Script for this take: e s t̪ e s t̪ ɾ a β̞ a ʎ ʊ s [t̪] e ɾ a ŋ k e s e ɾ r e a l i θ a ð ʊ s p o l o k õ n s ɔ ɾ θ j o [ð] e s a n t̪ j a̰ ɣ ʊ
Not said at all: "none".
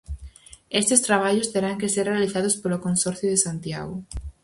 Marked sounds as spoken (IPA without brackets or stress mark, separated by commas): t̪, ð